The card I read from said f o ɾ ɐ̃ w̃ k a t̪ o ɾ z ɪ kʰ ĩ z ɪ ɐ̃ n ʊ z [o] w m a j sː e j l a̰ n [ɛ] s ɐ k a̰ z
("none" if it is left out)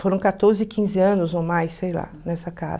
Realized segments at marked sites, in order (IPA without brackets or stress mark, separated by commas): o, ɛ